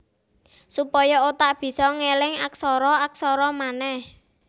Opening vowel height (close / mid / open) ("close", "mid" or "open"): close